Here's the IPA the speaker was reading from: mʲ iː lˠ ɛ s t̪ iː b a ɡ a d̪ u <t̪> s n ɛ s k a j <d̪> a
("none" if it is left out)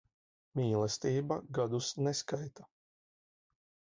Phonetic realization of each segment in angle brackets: none, t̪

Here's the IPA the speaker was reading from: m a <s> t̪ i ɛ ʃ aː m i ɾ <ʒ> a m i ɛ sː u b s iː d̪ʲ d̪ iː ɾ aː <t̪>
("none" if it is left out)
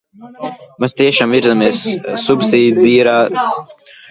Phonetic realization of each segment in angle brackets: s, z, none

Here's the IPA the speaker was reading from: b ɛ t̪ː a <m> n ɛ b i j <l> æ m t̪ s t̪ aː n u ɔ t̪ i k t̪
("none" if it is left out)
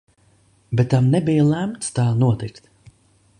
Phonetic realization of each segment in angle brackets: m, l

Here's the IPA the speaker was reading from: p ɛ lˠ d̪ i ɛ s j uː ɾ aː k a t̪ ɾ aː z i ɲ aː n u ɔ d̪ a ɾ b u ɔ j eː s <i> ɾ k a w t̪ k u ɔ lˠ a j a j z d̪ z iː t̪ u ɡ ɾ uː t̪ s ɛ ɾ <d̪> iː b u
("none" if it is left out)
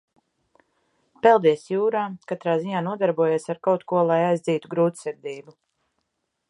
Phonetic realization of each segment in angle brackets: a, d̪

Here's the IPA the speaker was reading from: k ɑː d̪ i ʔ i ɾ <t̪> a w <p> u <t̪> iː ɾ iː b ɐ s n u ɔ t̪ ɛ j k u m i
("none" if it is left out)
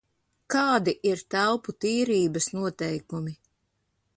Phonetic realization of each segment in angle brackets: t̪, p, t̪

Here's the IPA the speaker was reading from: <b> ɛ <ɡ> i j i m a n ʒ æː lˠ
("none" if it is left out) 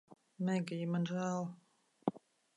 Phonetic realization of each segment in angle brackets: m, ɡ

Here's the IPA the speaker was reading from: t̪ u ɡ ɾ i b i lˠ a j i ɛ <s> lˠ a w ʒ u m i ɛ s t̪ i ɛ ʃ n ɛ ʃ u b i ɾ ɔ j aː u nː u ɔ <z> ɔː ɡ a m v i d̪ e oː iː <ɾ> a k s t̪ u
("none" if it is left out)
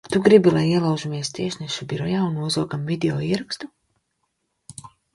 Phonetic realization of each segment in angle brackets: none, z, ɾ

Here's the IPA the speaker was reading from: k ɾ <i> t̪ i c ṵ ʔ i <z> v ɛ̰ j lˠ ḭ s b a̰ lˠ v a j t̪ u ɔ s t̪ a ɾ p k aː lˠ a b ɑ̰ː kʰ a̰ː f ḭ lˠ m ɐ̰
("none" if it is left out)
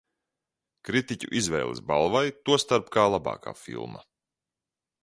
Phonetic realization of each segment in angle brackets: i, z

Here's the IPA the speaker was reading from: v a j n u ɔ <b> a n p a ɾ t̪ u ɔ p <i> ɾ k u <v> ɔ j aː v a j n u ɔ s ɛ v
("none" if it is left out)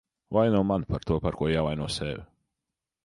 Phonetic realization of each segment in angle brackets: m, a, none

